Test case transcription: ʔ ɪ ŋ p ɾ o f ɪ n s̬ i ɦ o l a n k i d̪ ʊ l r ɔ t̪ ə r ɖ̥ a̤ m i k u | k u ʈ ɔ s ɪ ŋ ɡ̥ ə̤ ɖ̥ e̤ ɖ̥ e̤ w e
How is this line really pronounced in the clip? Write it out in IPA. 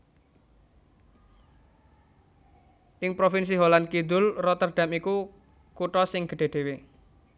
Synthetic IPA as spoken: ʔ ɪ ŋ p ɾ o f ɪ n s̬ i ɦ o l a n k i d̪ ʊ l r ɔ t̪ ə r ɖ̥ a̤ m i k u | k u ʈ ɔ s ɪ ŋ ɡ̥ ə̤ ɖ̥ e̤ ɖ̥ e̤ w e